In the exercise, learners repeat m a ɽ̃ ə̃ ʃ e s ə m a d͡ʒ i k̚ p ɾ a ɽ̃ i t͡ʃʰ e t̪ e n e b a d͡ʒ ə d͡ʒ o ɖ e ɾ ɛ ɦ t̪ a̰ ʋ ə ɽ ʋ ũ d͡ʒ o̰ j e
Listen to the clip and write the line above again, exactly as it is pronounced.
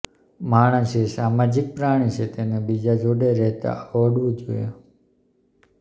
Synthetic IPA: m a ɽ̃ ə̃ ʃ e s a m a d͡ʒ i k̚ p ɾ a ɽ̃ i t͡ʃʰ e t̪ e n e b i d͡ʒ a d͡ʒ o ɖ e ɾ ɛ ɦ t̪ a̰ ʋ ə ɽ ʋ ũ d͡ʒ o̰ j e